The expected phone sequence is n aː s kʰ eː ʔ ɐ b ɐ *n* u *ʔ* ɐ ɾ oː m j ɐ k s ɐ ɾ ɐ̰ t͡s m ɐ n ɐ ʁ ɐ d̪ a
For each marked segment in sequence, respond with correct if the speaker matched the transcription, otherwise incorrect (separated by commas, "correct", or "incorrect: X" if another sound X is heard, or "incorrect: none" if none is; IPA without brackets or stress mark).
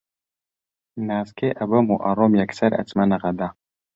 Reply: incorrect: m, correct